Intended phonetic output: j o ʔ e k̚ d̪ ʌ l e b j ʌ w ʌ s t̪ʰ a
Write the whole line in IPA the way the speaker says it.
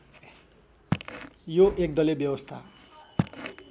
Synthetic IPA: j o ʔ e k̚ d̪ ʌ l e b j ʌ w ʌ s t̪ʰ a